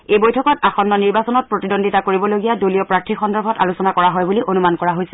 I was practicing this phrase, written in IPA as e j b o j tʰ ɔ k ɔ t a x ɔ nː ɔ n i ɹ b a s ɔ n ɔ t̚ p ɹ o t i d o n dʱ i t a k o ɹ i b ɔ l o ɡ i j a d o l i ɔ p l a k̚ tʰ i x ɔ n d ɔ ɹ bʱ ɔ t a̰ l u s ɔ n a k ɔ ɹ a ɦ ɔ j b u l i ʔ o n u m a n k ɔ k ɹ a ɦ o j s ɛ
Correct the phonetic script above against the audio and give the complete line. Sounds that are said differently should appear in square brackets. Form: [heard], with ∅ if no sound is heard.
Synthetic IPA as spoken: e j b o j tʰ ɔ k ɔ t a x ɔ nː ɔ n i ɹ b a s ɔ n ɔ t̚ p ɹ o t i d o n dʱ i t a k o ɹ i b ɔ l o ɡ i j a d o l i ɔ p [ɹ] a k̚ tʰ i x ɔ n d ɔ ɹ bʱ ɔ t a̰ l u s ɔ n a k ɔ ɹ a ɦ ɔ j b u l i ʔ o n u m a n k ɔ [∅] ɹ a ɦ o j s ɛ